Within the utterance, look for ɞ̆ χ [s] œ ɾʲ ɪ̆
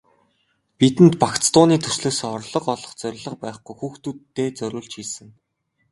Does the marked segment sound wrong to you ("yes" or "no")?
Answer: yes